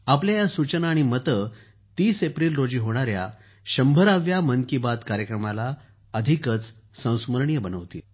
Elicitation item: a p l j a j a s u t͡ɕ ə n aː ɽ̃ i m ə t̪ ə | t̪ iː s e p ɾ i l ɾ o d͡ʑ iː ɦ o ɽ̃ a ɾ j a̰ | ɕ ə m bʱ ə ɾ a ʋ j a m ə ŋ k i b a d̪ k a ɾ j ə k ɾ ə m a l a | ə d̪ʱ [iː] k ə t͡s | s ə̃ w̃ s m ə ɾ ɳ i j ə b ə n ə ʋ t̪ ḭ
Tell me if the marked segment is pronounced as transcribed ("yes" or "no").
no